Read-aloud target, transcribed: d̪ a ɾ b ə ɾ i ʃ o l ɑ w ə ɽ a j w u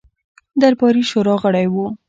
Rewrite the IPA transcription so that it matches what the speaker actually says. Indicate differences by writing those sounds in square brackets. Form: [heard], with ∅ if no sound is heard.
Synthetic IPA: d̪ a ɾ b [ɑ] ɾ i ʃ o [ɾ] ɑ [ɣ] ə ɽ a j w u